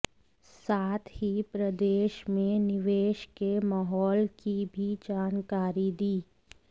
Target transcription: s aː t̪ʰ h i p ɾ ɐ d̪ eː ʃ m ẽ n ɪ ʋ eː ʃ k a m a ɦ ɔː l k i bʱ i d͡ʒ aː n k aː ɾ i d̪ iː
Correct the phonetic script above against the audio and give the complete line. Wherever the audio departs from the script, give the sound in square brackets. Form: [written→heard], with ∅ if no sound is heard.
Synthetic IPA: s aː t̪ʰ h i p ɾ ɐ d̪ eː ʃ m ẽ n ɪ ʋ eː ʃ k [a→e] m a ɦ ɔː l k i bʱ i d͡ʒ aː n k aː ɾ i d̪ iː